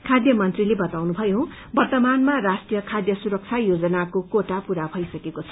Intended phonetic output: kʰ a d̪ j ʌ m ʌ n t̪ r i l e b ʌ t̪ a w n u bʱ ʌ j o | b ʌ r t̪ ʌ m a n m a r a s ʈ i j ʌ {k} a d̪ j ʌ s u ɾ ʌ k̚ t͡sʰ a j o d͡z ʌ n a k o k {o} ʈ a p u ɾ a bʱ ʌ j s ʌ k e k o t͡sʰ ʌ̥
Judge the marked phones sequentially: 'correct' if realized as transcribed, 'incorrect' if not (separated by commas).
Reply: incorrect, correct